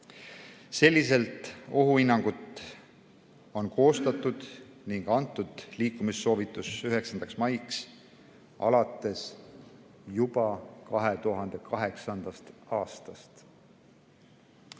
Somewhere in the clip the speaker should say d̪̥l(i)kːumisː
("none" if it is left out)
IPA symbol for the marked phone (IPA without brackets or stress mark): iː